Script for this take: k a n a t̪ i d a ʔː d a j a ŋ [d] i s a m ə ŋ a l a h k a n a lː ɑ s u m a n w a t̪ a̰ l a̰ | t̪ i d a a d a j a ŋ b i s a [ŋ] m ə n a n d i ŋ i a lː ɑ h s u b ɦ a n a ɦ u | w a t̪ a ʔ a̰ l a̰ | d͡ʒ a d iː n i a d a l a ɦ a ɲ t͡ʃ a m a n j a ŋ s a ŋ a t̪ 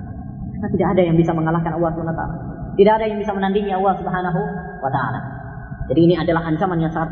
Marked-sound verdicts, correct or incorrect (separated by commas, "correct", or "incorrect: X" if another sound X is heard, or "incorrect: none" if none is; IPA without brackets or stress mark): incorrect: b, incorrect: none